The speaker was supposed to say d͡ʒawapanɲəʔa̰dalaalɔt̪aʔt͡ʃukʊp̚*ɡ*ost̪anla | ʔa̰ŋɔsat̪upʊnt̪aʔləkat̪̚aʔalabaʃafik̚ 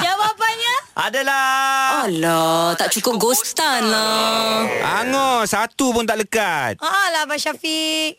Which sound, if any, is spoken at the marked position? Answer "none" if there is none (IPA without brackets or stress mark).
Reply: ɡ